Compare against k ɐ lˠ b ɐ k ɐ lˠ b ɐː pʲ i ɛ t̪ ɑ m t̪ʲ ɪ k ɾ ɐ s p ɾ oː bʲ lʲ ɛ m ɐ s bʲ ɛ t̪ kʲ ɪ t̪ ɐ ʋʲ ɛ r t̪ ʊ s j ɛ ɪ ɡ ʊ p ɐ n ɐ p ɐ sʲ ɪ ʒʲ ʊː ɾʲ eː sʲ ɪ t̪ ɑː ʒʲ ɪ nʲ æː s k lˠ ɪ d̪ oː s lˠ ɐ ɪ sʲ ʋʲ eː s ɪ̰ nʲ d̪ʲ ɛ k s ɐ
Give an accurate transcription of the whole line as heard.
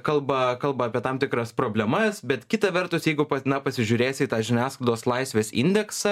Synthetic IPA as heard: k ɐ lˠ b ɐ k ɐ lˠ b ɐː pʲ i ɛ t̪ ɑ m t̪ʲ ɪ k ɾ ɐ s p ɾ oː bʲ lʲ ɛ m ɐ s bʲ ɛ t̪ kʲ ɪ t̪ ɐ ʋʲ ɛ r t̪ ʊ s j ɛ ɪ ɡ ʊ p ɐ n ɐ p ɐ sʲ ɪ ʒʲ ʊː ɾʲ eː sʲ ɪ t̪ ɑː ʒʲ ɪ nʲ æː s k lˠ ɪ d̪ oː s lˠ ɐ ɪ sʲ ʋʲ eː s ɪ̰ nʲ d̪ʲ ɛ k s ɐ